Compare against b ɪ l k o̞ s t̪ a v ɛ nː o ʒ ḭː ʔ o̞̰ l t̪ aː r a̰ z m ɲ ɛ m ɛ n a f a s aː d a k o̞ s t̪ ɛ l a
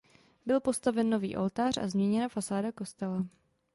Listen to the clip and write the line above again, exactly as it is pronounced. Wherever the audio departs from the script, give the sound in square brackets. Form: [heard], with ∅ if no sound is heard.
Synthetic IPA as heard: b ɪ l [p] o̞ s t̪ a v ɛ nː o [v] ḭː ʔ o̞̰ l t̪ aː r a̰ z m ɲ ɛ [ɲ] ɛ n a f a s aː d a k o̞ s t̪ ɛ l a